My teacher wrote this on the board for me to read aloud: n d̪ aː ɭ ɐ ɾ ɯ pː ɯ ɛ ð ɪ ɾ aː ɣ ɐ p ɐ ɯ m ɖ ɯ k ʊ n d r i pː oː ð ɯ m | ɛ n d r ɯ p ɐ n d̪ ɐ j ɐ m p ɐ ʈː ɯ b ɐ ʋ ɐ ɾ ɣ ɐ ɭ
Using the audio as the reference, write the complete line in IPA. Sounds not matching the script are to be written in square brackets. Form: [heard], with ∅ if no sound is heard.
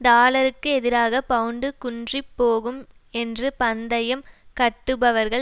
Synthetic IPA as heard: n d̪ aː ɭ ɐ ɾ ɯ [kː] ɯ ɛ ð ɪ ɾ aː ɣ ɐ p ɐ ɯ [ɳ] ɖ ɯ k ʊ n d r i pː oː [ɣ] ɯ m | ɛ n d r ɯ p ɐ n d̪ ɐ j ɐ m [k] ɐ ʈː ɯ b ɐ ʋ ɐ ɾ ɣ ɐ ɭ

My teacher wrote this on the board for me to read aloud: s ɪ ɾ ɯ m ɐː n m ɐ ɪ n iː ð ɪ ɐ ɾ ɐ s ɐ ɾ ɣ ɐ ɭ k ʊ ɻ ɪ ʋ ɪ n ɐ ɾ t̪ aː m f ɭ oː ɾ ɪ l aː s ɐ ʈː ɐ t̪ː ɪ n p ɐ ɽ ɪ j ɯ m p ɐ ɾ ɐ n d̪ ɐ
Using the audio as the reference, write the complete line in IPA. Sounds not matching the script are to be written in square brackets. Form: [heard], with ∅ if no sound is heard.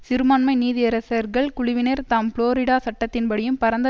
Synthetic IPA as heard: s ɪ ɾ ɯ m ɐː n m ɐ ɪ n iː ð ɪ ɐ ɾ ɐ s ɐ ɾ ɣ ɐ ɭ k ʊ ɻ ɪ ʋ ɪ n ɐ ɾ t̪ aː m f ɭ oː ɾ ɪ [ɽ] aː s ɐ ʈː ɐ t̪ː ɪ n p ɐ ɽ ɪ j ɯ m p ɐ ɾ ɐ n d̪ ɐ

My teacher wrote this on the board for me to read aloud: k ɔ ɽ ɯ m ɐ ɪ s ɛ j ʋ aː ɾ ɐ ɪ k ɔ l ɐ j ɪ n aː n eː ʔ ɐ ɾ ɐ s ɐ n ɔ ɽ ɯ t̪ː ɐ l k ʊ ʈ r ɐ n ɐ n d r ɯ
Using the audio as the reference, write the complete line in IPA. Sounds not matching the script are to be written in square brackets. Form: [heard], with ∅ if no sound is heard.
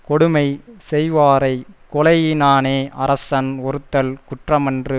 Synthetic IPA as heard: k ɔ ɽ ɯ m ɐ ɪ s ɛ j ʋ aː ɾ ɐ ɪ k ɔ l ɐ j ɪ n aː n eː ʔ ɐ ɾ ɐ s ɐ n ɔ [ɾ] ɯ t̪ː ɐ l k ʊ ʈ r ɐ [m] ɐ n d r ɯ

